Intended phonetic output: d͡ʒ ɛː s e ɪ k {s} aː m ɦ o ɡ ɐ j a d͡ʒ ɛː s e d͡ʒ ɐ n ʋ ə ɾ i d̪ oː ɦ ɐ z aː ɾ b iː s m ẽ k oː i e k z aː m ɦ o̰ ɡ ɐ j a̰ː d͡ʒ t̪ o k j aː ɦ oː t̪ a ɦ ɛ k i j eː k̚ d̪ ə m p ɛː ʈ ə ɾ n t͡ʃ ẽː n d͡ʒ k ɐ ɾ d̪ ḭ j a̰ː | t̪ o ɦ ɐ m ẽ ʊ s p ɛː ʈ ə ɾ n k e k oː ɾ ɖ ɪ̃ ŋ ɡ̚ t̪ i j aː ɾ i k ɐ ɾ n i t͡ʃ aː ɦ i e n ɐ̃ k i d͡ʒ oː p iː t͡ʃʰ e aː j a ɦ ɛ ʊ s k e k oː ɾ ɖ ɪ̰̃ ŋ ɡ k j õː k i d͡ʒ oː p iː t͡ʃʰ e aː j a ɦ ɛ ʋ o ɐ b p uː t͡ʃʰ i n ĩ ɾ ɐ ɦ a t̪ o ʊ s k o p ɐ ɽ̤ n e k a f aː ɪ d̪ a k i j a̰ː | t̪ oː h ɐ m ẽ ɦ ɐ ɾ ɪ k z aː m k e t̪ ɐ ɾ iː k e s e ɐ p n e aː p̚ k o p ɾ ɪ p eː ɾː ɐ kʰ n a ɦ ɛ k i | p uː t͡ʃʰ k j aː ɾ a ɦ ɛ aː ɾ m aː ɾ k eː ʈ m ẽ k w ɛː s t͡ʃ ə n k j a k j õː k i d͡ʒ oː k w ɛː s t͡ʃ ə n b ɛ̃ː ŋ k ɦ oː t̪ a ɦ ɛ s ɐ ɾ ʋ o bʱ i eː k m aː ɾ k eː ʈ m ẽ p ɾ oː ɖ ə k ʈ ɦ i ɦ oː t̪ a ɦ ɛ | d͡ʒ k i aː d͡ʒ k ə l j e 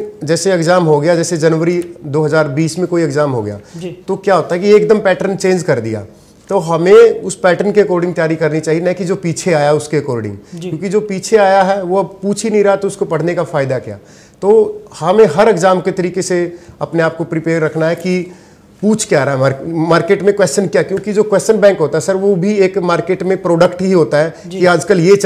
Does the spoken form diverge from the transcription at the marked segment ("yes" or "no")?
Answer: yes